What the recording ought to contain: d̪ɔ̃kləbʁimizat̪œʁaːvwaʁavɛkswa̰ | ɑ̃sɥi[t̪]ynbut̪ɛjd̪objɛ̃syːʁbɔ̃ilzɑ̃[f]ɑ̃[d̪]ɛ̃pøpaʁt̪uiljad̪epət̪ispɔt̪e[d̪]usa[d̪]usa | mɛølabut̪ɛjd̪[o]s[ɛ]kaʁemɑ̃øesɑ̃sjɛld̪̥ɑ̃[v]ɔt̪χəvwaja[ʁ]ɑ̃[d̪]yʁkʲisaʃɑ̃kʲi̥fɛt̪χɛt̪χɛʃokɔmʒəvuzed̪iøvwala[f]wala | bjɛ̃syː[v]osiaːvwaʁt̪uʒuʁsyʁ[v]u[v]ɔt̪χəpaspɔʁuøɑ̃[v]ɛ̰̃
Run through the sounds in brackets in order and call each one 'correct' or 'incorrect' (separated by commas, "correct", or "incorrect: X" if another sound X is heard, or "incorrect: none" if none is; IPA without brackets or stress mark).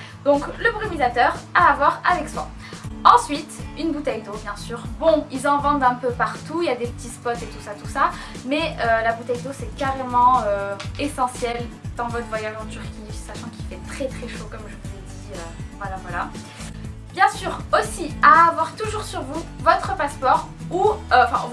correct, incorrect: v, correct, incorrect: t̪, incorrect: t̪, correct, correct, correct, incorrect: ʒ, incorrect: t̪, incorrect: v, incorrect: ʁ, correct, correct, incorrect: f